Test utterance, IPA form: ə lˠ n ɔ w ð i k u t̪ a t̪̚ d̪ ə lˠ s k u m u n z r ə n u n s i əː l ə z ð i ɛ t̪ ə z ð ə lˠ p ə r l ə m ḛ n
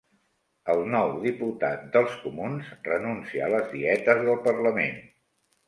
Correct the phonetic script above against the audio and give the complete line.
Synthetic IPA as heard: ə lˠ n ɔ w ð i p u t̪ a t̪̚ d̪ ə lˠ s k u m u n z r ə n u n s i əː l ə z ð i ɛ t̪ ə z ð ə lˠ p ə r l ə m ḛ n